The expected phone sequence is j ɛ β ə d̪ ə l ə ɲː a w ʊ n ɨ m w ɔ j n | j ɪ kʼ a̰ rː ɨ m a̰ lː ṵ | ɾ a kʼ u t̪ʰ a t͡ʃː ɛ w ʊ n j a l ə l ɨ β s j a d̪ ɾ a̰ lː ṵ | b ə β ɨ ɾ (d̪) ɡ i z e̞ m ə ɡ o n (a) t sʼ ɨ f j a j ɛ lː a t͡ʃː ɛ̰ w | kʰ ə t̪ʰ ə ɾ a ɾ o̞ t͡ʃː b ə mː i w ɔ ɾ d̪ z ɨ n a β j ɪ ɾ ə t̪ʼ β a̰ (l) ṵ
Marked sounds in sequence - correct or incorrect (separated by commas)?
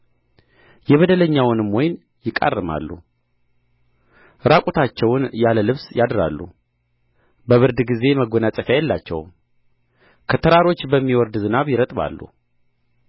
correct, correct, incorrect